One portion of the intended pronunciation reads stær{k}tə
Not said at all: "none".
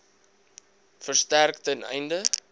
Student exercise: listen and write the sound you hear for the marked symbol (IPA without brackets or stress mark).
k